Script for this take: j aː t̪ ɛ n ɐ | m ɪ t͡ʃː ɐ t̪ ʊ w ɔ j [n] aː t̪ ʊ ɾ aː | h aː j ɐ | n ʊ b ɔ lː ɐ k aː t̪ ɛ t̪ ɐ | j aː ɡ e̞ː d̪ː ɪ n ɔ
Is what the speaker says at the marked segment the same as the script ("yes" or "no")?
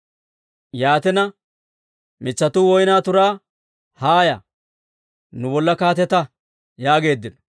yes